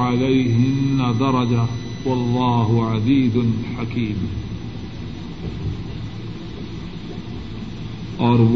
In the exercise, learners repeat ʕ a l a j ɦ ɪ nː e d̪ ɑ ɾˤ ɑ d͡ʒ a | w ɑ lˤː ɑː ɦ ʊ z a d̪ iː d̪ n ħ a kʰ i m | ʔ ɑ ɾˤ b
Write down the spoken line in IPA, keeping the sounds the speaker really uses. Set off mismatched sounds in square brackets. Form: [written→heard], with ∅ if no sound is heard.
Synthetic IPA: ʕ a l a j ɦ ɪ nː [e→a] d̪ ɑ ɾˤ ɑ d͡ʒ a | w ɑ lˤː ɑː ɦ ʊ [z→ʕ] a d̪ iː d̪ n ħ a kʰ [i→iː] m | ʔ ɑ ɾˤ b